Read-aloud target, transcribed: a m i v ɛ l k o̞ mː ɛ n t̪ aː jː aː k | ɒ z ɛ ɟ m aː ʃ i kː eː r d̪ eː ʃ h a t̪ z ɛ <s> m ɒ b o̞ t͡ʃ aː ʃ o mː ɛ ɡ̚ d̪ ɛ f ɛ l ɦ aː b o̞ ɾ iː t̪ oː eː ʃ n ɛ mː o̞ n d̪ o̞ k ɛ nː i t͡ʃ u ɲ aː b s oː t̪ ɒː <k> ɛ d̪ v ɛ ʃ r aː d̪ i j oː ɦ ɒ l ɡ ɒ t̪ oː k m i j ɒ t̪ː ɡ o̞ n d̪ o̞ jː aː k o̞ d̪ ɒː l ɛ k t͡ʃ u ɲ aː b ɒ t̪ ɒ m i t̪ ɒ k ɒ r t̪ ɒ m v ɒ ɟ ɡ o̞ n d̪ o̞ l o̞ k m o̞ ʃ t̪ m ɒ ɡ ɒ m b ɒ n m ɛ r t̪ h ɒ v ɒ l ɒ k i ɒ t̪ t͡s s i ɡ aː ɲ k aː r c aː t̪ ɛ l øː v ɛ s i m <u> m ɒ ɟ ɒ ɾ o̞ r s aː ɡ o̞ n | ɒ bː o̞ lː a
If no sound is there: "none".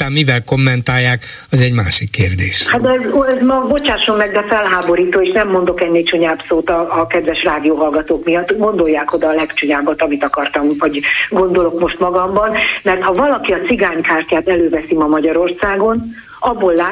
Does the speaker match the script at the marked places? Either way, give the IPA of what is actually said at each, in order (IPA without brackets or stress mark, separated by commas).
z, k, ɒ